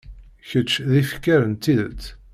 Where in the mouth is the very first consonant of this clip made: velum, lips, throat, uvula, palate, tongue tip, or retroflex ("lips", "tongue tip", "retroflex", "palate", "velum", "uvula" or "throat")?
palate